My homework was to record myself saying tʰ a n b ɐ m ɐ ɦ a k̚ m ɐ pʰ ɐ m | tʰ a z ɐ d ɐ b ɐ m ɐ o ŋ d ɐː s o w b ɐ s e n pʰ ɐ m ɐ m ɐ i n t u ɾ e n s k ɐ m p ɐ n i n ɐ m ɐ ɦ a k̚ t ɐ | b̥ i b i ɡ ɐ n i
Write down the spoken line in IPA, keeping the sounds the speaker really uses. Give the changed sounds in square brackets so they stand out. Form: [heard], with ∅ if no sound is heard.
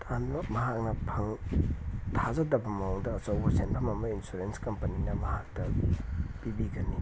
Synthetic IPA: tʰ a n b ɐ m ɐ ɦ a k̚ [n] ɐ pʰ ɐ [ŋ] | tʰ a z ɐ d ɐ b ɐ m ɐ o ŋ d ɐː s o w b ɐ s e n pʰ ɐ m ɐ m ɐ i n [s] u ɾ e n s k ɐ m p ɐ n i n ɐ m ɐ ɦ a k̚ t ɐ | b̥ i b i ɡ ɐ n i